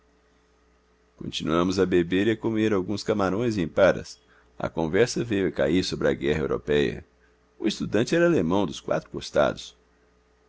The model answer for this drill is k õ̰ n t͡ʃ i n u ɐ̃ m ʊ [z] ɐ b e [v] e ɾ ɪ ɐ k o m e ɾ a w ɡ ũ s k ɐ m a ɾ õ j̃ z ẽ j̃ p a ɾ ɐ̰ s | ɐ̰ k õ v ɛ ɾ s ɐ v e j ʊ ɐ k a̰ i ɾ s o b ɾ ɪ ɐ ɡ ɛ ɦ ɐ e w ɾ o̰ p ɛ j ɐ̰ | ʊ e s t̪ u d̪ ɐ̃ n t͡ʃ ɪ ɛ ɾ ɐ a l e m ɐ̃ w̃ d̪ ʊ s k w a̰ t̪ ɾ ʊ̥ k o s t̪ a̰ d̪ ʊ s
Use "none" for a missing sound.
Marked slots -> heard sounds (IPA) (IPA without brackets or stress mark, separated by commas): z, b